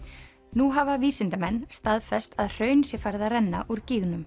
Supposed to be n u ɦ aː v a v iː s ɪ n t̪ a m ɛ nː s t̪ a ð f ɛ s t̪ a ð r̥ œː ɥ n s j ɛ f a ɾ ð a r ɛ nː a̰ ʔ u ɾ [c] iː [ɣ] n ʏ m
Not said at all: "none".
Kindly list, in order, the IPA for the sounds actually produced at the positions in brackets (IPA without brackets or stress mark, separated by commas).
c, ɣ